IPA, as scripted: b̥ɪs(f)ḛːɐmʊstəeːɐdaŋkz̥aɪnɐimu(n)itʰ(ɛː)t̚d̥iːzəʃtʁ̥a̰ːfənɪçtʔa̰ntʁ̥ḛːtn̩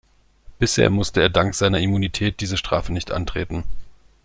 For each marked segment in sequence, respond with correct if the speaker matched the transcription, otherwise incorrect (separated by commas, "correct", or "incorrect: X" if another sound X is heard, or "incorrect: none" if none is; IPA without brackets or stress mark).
incorrect: h, correct, correct